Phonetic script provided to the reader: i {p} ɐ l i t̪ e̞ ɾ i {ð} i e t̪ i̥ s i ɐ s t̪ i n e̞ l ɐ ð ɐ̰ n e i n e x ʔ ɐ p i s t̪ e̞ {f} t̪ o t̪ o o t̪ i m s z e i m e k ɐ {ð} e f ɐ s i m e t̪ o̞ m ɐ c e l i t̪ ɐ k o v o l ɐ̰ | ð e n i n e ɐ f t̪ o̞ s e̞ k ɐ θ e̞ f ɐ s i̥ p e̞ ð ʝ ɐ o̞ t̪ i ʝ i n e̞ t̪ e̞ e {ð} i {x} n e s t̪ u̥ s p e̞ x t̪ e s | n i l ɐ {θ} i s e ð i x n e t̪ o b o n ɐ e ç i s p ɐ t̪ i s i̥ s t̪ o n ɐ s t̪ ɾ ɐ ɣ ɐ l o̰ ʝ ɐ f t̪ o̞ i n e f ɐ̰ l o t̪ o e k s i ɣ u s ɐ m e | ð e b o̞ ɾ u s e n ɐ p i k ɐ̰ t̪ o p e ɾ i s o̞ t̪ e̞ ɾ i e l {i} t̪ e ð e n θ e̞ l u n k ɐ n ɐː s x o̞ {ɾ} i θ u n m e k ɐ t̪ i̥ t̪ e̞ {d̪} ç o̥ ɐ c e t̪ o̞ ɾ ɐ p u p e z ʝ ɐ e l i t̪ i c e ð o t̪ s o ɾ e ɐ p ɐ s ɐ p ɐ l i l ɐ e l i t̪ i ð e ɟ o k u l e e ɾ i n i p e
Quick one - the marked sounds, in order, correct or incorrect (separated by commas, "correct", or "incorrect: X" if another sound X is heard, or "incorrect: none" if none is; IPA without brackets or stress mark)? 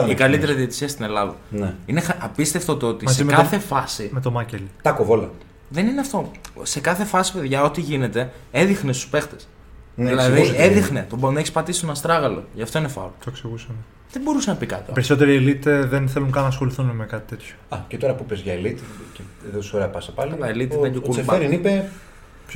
incorrect: k, correct, correct, incorrect: θ, correct, correct, incorrect: ð, correct, incorrect: l, incorrect: t̪